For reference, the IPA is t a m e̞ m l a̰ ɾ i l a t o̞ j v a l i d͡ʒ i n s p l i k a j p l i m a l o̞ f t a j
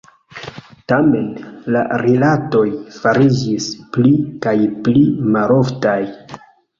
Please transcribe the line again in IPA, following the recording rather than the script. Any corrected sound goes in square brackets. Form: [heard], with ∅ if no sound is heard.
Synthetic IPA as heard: t a m e̞ [n] l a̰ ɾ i l a t o̞ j [f] a [ɾ] i d͡ʒ i [∅] s p l i k a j p l i m a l o̞ f t a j